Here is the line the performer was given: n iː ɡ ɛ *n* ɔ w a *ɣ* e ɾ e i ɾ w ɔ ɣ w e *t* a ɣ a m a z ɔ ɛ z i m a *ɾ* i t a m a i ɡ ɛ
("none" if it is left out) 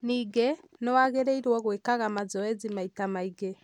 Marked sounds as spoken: n, ɣ, k, none

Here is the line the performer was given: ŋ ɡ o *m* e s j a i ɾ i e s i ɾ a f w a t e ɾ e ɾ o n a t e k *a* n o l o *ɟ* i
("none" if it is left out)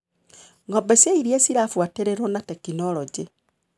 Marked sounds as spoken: b, i, ɟ

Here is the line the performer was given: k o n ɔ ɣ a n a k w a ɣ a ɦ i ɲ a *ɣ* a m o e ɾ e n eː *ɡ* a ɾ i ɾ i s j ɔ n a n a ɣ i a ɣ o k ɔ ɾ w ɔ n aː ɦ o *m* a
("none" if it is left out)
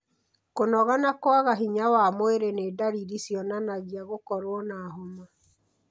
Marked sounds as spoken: w, d, m

